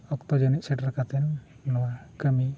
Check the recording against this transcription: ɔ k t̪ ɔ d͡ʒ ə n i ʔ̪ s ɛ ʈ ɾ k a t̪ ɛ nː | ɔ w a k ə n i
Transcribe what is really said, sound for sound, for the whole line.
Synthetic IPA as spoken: ɔ k t̪ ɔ d͡ʒ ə n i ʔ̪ s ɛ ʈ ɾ k a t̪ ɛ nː | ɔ w a k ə m i